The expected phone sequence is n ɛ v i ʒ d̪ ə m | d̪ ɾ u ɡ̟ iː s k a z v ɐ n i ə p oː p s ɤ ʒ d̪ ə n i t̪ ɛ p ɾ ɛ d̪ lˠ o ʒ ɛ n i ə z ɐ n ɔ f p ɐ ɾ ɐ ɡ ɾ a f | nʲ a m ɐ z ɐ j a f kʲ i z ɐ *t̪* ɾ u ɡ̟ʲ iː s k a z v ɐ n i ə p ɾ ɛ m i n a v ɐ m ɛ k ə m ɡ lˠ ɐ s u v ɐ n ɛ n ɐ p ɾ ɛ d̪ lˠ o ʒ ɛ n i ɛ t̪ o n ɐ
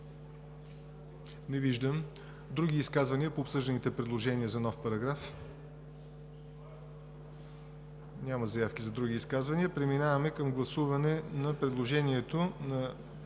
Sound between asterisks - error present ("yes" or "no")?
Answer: yes